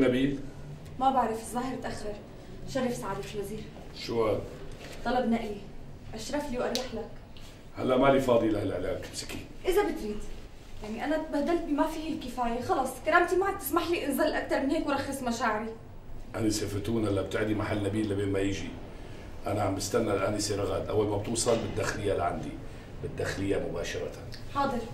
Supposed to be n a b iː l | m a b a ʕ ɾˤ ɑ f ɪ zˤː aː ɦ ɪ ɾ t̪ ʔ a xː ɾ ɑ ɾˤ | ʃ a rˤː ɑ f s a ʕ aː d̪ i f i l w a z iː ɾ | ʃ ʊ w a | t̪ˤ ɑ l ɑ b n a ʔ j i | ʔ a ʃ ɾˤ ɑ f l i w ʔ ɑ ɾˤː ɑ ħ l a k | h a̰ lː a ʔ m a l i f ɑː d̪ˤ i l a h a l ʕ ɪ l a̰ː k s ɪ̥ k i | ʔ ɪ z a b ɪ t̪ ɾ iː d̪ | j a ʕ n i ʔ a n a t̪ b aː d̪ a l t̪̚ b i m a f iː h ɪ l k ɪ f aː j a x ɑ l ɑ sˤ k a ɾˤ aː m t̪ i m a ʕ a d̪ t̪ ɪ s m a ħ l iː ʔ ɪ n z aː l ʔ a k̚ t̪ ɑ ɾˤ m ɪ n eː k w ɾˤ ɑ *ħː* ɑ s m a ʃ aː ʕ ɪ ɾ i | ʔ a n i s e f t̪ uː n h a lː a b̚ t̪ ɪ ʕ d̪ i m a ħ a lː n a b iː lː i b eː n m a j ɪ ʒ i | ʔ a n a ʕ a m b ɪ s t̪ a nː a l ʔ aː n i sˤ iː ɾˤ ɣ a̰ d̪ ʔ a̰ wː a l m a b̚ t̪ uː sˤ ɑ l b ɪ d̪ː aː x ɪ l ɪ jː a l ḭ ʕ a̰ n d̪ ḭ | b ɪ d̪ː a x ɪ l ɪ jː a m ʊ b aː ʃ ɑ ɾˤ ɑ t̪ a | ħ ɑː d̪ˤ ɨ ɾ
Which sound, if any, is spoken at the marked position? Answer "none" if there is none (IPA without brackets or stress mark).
xː